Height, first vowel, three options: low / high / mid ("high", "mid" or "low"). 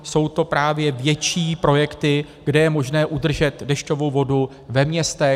mid